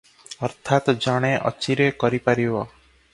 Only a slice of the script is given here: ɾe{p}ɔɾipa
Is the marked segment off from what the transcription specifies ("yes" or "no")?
yes